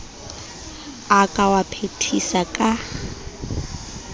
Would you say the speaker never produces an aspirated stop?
no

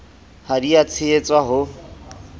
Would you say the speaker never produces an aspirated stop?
no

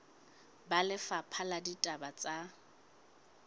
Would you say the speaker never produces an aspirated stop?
no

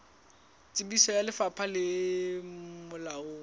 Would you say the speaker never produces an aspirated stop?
no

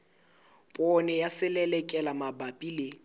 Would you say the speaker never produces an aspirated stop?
yes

